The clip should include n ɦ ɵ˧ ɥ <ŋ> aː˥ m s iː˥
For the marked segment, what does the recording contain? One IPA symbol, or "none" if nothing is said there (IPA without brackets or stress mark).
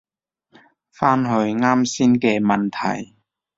ŋ